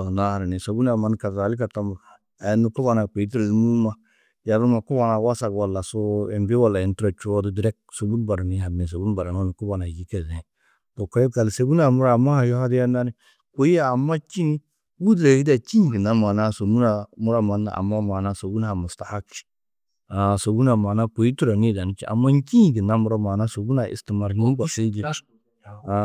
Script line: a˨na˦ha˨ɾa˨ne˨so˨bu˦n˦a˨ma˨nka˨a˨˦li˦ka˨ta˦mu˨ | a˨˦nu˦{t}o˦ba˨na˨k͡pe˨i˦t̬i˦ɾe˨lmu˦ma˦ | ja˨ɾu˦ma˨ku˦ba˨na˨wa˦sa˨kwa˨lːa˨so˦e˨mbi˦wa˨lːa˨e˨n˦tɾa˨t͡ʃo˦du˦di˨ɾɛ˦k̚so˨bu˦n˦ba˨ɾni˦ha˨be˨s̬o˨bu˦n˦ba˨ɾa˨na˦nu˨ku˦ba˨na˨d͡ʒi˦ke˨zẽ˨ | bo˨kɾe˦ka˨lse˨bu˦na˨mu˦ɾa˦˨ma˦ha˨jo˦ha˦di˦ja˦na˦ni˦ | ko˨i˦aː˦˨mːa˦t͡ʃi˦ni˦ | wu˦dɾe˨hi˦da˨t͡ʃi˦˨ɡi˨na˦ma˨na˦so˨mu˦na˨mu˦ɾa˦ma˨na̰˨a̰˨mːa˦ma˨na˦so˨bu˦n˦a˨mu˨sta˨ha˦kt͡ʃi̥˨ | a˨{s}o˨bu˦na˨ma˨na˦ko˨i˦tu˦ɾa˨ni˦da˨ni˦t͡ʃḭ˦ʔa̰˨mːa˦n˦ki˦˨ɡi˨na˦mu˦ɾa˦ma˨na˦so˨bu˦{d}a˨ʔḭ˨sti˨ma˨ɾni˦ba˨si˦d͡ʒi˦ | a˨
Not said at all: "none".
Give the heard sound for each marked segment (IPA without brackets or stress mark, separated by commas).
k, s, n